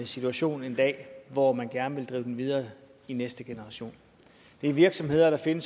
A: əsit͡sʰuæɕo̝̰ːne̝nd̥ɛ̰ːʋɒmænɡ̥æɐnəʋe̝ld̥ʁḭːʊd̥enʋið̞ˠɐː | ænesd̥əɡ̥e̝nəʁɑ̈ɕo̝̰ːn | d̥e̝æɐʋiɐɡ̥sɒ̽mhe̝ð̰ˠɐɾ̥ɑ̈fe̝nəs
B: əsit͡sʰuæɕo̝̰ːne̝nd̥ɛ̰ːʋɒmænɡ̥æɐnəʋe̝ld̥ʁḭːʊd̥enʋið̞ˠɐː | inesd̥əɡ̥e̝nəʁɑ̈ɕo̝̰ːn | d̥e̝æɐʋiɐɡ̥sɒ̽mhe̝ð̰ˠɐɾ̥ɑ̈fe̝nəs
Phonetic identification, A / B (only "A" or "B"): B